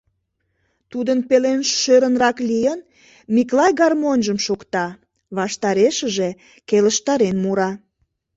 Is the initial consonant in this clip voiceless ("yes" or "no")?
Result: yes